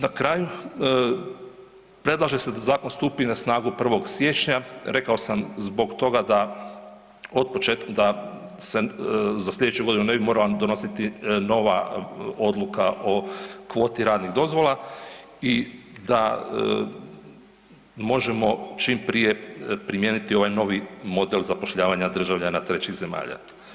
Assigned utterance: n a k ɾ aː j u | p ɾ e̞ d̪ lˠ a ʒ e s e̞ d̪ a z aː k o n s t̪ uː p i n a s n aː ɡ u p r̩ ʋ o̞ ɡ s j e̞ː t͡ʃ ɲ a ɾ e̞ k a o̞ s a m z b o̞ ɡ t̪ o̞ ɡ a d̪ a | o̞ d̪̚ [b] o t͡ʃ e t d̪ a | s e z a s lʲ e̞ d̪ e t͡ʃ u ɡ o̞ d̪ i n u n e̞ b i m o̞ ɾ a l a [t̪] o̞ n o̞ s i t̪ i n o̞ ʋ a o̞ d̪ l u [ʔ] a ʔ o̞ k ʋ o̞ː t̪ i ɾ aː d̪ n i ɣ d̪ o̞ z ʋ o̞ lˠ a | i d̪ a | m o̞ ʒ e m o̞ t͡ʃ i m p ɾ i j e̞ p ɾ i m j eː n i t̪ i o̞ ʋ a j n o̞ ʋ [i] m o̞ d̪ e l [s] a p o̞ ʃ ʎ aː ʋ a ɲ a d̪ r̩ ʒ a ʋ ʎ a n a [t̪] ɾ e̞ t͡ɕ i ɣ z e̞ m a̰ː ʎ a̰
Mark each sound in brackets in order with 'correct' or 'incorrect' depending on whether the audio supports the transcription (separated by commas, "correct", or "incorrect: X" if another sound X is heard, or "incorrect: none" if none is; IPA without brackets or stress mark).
incorrect: p, incorrect: d̪, incorrect: k, correct, incorrect: z, correct